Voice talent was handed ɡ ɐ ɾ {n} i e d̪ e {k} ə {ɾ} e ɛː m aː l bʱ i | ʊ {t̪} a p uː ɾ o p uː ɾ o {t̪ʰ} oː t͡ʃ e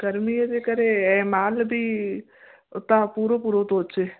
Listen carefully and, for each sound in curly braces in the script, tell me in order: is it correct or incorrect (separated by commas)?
incorrect, correct, correct, correct, incorrect